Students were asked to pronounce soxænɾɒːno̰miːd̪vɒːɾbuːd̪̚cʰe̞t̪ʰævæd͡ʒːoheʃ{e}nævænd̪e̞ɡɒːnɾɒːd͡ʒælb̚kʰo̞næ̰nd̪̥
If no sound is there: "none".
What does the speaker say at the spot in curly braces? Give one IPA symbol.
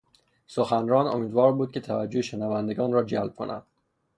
e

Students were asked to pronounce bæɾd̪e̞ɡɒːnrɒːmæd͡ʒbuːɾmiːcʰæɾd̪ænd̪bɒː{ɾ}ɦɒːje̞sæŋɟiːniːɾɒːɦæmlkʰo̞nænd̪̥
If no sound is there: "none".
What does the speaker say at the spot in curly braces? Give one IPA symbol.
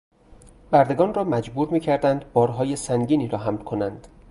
ɾ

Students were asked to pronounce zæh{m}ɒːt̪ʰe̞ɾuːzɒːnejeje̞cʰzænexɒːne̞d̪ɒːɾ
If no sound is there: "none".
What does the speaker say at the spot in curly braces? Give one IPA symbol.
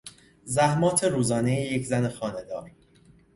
m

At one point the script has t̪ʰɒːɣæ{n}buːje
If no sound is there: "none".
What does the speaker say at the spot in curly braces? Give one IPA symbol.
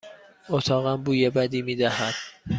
m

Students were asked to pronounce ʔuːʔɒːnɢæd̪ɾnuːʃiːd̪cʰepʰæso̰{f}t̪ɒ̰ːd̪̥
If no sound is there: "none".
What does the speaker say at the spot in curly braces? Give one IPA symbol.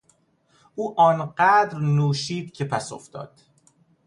f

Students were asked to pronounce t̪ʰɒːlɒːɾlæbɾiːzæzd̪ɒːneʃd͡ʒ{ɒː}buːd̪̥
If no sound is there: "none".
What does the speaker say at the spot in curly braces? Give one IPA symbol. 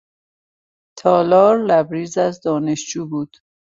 uː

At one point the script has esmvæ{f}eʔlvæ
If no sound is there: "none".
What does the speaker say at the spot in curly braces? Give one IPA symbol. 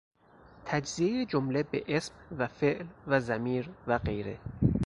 f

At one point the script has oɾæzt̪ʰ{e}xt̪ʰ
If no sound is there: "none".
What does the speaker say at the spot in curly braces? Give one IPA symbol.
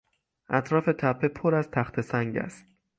æ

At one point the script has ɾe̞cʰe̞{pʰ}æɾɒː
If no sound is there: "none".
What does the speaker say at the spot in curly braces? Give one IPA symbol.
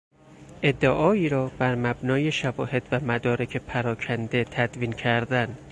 pʰ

